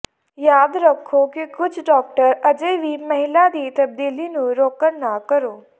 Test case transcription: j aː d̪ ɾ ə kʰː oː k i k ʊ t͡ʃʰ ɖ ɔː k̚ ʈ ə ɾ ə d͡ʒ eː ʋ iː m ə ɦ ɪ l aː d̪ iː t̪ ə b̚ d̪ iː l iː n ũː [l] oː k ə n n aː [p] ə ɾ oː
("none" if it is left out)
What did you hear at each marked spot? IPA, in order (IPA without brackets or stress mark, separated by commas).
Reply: ɾ, k